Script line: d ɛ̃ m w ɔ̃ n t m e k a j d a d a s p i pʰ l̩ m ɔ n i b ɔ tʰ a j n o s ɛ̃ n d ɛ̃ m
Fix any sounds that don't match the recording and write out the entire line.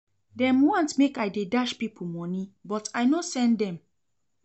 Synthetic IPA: d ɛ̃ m w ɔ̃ n t m e k a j d e d a ʃ p i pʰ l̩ m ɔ n i b ɔ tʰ a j n o s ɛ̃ n d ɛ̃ m